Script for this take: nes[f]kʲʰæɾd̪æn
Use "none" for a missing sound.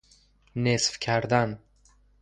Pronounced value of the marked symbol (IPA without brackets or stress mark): f